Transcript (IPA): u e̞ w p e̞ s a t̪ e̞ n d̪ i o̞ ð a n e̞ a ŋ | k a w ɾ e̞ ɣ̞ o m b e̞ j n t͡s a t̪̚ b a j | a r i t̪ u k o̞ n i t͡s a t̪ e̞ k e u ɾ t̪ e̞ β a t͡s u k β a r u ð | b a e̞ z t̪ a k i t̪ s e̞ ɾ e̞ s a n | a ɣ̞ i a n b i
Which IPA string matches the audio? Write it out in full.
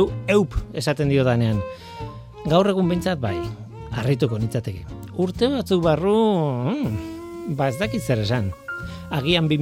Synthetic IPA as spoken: u e̞ w p e̞ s a t̪ e̞ n d̪ i o̞ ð a n e̞ a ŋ | ɡ a w r e̞ ɣ̞ u m b e̞ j n t͡s a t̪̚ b a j | a r i t̪ u k o̞ n i t͡s a t̪ e̞ k e u ɾ t̪ e̞ β a t͡s u k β a r u | b a e̞ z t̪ a k i t̪ s e̞ ɾ e̞ s a n | a ɣ̞ i a m b i